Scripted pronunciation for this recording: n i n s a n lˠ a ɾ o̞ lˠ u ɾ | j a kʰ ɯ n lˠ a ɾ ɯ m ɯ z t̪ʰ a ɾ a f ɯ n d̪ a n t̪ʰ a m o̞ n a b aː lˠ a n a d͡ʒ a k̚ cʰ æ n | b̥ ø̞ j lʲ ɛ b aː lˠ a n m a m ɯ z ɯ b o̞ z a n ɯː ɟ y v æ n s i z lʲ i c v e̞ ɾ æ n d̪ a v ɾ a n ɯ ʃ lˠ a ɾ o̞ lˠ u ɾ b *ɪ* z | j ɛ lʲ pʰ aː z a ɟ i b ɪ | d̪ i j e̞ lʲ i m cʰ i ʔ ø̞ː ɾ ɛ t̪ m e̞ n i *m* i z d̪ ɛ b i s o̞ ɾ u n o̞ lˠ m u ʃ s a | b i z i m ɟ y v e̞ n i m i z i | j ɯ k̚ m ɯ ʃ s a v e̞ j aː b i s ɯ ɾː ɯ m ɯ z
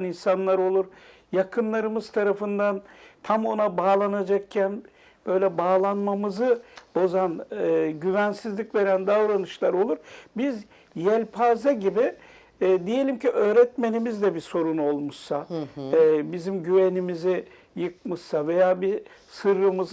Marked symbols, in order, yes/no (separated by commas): no, yes